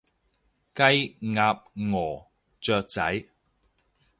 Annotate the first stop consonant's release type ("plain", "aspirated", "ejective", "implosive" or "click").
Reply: plain